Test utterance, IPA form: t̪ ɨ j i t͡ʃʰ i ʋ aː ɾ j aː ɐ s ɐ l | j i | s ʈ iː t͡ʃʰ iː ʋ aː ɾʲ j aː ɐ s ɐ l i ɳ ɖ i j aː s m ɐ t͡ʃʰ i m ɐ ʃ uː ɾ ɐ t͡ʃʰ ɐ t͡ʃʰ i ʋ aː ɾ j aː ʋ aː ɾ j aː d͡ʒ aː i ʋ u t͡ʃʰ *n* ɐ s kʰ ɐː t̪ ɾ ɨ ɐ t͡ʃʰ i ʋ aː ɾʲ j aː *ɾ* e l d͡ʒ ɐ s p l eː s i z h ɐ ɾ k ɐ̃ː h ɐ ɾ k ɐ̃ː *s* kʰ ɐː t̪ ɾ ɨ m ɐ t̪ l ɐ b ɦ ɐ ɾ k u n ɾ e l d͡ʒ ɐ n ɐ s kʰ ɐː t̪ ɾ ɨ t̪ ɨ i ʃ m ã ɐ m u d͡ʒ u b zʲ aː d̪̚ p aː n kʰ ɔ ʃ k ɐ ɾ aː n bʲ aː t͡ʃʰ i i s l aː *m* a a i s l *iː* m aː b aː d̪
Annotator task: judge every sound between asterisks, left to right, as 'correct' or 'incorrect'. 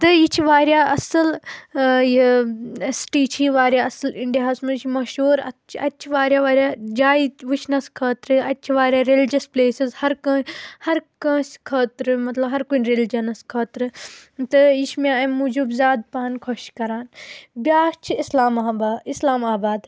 correct, correct, correct, correct, incorrect

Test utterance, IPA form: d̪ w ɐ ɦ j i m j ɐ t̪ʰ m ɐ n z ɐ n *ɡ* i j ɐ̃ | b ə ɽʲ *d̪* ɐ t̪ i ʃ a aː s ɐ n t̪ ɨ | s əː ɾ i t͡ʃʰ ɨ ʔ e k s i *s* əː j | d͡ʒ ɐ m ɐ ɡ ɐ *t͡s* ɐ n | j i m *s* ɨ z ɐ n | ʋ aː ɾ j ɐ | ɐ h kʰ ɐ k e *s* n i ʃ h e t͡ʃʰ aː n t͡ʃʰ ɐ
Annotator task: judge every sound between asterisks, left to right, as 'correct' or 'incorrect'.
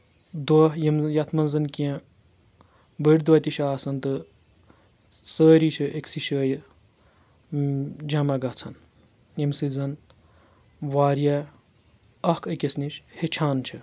incorrect, correct, incorrect, incorrect, correct, correct

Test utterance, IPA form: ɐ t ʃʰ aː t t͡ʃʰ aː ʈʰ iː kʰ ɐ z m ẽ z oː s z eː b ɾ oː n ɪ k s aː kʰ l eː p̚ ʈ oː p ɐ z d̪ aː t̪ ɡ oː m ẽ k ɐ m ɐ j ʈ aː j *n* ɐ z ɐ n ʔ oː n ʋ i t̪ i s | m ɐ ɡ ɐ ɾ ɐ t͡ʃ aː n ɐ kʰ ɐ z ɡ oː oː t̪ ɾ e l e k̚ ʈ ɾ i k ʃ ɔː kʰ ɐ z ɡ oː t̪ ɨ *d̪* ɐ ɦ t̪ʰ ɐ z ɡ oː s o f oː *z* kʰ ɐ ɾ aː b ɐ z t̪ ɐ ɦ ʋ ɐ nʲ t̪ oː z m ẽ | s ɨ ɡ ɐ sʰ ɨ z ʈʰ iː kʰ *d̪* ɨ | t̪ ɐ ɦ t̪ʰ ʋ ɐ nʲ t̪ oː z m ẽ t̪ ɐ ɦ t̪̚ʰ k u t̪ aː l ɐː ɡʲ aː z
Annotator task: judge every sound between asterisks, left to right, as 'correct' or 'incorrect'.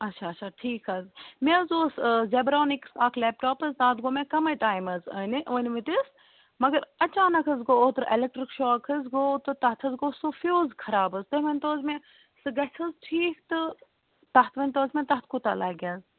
incorrect, incorrect, correct, incorrect

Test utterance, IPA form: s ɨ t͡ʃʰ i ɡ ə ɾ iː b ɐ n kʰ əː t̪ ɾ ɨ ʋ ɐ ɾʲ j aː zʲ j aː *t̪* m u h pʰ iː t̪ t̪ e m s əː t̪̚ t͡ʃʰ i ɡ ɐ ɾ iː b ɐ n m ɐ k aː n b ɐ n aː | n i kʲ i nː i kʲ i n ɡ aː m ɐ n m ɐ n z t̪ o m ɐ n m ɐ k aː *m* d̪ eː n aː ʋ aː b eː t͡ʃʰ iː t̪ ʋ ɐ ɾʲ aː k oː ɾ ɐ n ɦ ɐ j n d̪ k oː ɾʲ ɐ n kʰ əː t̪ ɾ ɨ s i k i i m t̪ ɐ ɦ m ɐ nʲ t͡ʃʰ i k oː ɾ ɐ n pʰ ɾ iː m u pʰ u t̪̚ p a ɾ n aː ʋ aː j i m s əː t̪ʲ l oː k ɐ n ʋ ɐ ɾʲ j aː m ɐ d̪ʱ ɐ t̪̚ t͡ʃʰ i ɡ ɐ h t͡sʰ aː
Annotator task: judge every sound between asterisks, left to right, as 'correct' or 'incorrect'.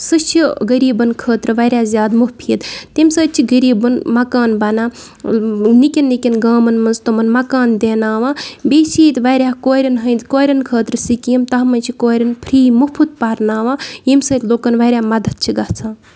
incorrect, incorrect

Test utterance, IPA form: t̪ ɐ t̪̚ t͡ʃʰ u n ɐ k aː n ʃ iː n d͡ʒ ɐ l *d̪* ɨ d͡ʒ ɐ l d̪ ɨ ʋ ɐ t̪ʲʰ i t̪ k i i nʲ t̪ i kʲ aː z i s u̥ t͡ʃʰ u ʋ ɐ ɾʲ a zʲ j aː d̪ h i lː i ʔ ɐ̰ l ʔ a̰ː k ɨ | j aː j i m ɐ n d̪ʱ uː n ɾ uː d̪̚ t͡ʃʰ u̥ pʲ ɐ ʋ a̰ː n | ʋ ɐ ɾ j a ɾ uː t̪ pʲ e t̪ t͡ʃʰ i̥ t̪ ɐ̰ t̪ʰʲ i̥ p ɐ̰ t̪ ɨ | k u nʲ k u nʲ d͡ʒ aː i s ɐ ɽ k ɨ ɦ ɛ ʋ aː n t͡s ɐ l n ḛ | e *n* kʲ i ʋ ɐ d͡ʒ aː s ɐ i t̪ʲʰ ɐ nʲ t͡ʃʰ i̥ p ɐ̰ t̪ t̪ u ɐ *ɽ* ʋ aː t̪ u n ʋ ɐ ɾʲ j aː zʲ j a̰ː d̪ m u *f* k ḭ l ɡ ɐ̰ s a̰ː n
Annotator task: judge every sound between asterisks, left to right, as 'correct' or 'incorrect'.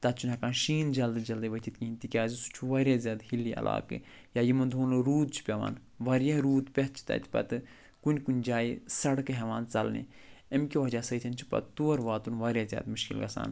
correct, incorrect, incorrect, incorrect

